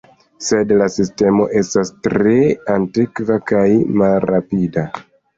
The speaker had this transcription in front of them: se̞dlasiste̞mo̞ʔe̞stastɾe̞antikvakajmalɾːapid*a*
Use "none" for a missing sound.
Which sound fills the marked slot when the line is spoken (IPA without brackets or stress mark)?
a